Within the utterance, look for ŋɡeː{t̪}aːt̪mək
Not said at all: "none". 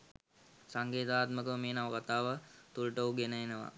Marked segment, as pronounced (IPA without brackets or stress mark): t̪